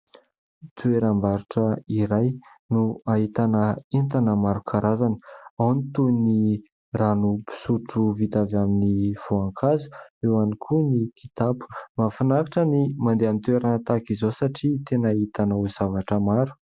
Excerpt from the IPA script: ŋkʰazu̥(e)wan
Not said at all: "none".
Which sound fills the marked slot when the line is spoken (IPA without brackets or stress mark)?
e